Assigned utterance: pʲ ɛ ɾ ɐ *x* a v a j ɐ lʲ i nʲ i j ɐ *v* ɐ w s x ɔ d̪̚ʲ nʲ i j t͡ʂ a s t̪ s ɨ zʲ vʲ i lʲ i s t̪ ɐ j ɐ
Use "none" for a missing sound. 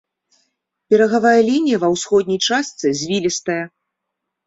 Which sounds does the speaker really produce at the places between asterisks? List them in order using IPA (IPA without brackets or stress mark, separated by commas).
ɣ, v